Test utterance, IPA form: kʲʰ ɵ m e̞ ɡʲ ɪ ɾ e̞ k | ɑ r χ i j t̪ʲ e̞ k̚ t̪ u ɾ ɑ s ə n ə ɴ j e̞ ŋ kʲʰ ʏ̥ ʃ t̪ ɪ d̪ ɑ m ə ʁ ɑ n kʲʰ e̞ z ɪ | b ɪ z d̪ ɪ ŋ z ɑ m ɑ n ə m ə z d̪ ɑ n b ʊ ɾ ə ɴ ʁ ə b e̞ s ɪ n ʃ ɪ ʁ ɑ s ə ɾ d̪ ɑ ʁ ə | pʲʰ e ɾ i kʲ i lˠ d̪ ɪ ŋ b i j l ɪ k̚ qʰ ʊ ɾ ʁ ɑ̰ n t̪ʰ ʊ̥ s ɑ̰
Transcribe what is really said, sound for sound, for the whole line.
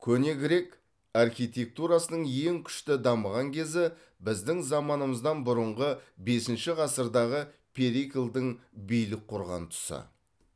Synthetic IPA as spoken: kʲʰ ɵ n e̞ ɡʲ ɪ ɾ e̞ k | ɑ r χ i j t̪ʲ e̞ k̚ t̪ u ɾ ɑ s ə n ə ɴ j e̞ ŋ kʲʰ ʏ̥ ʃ t̪ ɪ d̪ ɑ m ə ʁ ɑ ŋ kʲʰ e̞ z ɪ | b ɪ z d̪ ɪ ŋ z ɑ m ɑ n ə m ə z d̪ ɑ n b ʊ ɾ ə ɴ ʁ ə b e̞ s ɪ n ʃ ɪ ʁ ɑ s ə ɾ d̪ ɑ ʁ ə | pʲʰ e ɾ i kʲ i lˠ d̪ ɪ ŋ b i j l ɪ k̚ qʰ ʊ ɾ ʁ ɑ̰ n t̪ʰ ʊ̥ s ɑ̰